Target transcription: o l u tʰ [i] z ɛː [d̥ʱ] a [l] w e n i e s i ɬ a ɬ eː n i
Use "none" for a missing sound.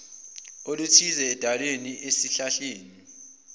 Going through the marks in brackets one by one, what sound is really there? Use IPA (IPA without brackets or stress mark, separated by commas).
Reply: i, d̥ʱ, l